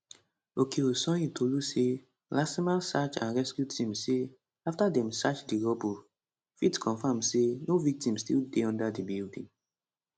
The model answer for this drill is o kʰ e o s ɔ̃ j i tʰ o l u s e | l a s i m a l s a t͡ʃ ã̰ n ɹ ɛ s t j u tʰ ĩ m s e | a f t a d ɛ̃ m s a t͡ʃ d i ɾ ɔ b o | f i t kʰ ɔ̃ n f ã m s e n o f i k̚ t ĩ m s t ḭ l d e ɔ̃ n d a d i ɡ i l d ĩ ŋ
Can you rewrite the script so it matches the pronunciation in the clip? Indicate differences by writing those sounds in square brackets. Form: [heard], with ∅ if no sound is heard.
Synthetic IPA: o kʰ e o s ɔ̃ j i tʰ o l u s e | l a s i m a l s a t͡ʃ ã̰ n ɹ ɛ s [k] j u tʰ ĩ m s e | a f t a d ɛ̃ m s a t͡ʃ d i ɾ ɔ b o | f i t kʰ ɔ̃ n f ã m s e n o [v] i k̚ t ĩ m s t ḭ l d e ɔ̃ n d a d i [b] i l d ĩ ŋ

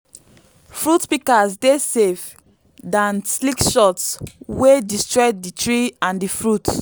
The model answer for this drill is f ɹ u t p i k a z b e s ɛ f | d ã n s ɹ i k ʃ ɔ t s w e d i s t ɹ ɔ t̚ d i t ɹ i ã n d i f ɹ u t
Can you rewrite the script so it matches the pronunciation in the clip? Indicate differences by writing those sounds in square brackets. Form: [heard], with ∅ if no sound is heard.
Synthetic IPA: f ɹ u t p i k a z [d] e s [e] f | d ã n s [l] i k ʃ ɔ t s w e d i s t ɹ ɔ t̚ d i t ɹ i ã n d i f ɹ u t

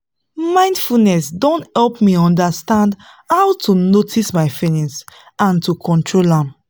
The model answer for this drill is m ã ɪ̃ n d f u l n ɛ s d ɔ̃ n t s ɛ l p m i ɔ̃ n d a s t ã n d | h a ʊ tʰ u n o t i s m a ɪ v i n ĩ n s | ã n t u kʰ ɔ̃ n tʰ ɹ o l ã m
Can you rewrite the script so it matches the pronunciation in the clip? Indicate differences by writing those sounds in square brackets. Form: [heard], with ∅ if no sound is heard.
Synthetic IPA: m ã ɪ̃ n d f u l n ɛ s d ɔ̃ n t [h] ɛ l p m i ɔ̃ n d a s t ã n d | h a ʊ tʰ u n o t i s m a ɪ [f] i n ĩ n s | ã n t u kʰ ɔ̃ n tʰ ɹ o l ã m

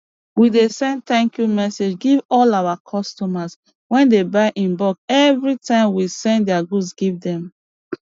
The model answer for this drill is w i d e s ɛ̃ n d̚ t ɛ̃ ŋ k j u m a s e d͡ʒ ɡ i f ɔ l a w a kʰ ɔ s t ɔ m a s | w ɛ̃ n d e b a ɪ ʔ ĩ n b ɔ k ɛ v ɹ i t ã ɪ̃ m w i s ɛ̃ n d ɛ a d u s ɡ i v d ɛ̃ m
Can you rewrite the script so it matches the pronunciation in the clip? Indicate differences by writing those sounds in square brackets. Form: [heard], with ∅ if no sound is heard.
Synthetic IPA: w i d e s ɛ̃ n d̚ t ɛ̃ ŋ k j u m [ɛ] s e d͡ʒ ɡ i [v] ɔ l a w a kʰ ɔ s t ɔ m a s | w ɛ̃ n d e b a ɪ ʔ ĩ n b ɔ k ɛ v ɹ i t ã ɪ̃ m w i s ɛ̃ n d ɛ a [ɡ] u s ɡ i v d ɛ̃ m

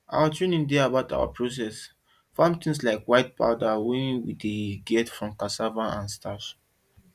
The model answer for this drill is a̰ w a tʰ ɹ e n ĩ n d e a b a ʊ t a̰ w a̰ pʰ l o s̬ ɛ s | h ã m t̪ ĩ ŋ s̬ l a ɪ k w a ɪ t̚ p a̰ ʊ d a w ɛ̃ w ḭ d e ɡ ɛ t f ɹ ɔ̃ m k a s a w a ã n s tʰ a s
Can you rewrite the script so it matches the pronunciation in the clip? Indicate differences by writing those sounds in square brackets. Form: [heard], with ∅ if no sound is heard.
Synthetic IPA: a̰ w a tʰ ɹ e n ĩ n d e a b a ʊ t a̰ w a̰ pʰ [ɹ] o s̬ ɛ s | [f] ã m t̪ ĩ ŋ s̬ l a ɪ k w a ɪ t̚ p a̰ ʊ d a w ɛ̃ w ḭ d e ɡ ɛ t f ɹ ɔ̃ m k a s a [v] a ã n s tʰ a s

